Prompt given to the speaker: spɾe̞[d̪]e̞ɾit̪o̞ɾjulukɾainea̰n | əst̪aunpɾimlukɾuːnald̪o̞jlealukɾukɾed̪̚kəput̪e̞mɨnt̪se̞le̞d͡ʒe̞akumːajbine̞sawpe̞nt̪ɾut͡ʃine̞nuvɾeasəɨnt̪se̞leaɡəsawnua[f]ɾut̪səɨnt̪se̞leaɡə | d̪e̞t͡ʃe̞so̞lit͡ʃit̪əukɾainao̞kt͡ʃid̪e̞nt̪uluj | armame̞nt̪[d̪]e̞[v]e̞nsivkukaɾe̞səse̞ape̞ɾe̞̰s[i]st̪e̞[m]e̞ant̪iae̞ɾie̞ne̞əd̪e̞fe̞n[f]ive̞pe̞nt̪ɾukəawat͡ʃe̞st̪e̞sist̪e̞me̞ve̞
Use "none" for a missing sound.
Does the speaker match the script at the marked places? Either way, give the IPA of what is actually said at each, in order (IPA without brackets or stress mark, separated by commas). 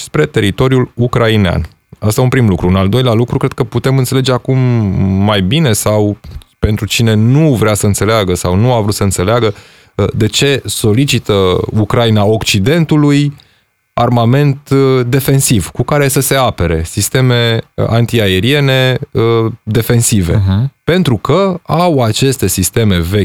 t̪, v, d̪, f, i, m, s